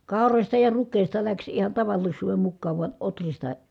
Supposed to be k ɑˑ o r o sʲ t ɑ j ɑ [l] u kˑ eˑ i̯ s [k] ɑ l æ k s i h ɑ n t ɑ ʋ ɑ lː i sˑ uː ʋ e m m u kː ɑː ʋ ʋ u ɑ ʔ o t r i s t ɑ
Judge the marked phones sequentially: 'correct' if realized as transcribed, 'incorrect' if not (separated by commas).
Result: incorrect, incorrect